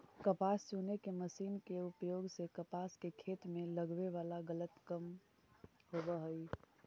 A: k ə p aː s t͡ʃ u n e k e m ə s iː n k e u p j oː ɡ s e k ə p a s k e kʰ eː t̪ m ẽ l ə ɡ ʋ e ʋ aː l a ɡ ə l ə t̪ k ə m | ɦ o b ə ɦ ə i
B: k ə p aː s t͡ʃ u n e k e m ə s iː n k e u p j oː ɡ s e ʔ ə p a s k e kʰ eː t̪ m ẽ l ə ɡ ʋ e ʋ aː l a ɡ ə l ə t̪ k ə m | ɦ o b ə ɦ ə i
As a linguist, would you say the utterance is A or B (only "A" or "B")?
A